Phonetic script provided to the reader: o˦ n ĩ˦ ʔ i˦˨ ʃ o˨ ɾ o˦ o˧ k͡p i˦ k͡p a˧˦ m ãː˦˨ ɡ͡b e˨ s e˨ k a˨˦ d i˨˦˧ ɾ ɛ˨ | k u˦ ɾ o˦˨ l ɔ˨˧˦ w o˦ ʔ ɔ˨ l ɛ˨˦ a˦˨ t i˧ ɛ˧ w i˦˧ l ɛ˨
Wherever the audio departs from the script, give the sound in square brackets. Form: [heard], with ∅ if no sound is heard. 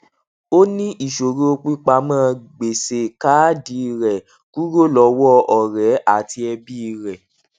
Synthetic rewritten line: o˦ n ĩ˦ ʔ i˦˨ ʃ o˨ ɾ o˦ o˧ k͡p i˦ k͡p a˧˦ m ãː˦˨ ɡ͡b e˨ s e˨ k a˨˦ d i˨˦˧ ɾ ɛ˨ | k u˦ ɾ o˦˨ l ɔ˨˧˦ w [ɔ˦] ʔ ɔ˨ [ɾ] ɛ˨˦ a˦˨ t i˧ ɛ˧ [b] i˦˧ [ɾ] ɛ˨